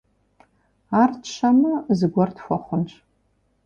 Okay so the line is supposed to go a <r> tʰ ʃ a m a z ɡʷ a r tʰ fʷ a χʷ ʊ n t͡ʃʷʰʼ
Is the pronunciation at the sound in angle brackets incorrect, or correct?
correct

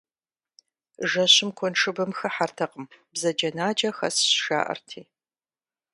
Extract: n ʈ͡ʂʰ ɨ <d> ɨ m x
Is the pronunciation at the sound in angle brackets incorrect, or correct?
incorrect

